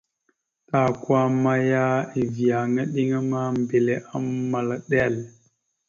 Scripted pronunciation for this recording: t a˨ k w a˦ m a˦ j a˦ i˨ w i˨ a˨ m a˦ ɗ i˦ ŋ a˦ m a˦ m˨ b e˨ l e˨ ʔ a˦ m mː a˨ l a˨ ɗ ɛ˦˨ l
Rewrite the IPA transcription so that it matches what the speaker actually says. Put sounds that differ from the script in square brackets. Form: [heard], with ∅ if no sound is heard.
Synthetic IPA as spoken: t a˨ k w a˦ m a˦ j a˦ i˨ [v] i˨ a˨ [ŋ] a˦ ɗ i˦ ŋ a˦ m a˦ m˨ b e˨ l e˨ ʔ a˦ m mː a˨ l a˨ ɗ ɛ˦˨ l